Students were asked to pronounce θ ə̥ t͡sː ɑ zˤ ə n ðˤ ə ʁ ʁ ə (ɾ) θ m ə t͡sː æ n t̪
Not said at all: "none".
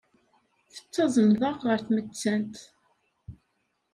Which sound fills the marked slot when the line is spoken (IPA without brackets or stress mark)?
ɾ